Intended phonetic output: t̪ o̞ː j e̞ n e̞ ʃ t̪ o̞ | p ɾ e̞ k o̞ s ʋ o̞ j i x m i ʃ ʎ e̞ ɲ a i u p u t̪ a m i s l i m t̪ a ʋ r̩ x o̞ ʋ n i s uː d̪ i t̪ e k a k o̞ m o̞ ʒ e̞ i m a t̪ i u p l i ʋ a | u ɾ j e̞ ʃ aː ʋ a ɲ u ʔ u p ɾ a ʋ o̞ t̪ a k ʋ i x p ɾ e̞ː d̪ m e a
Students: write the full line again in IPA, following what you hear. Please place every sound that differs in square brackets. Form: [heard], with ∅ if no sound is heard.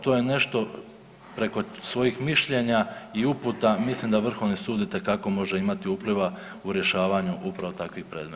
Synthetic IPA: t̪ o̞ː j e̞ n e̞ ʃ t̪ o̞ | p ɾ e̞ k o̞ s ʋ o̞ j i x m i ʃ ʎ e̞ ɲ a i u p u t̪ a m i s l i m [d̪] a ʋ r̩ x o̞ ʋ n i s uː d̪ i t̪ e k a k o̞ m o̞ ʒ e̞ i m a t̪ i u p l i ʋ a | u ɾ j e̞ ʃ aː ʋ a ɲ u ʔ u p ɾ a ʋ o̞ t̪ a k ʋ i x p ɾ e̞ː d̪ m e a